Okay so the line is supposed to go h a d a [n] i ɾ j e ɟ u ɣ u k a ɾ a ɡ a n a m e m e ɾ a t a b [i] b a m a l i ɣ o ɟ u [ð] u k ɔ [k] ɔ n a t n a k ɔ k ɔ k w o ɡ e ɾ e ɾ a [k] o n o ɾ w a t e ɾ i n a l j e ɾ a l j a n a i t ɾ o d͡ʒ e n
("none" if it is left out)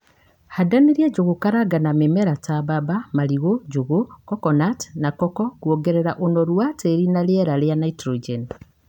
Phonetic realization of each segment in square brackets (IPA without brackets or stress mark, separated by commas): n, a, ɣ, k, ʔ